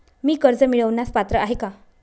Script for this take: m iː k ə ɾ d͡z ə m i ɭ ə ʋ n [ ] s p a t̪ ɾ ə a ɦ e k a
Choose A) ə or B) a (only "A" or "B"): B